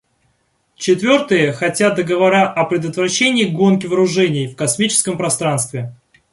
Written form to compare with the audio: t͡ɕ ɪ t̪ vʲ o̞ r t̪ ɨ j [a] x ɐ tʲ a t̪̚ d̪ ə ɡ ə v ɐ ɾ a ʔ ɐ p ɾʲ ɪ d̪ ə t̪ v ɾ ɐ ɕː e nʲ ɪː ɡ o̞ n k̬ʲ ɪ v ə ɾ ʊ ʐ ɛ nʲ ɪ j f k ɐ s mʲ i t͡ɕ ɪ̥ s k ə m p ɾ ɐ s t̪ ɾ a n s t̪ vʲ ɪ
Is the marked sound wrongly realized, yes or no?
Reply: yes